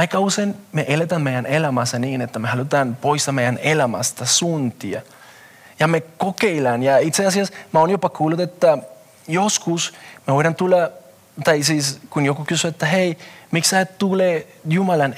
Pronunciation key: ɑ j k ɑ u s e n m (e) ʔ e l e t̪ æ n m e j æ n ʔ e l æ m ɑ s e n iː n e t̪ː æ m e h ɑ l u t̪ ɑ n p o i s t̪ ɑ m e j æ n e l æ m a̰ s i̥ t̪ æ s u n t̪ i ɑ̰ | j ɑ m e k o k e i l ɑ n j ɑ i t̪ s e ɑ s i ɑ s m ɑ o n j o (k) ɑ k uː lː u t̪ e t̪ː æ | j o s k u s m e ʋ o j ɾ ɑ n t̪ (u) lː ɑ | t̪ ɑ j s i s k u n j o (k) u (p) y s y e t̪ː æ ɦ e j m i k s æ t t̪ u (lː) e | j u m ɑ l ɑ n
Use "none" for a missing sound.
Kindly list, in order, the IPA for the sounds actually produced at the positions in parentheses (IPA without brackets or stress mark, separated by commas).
e, p, u, k, k, l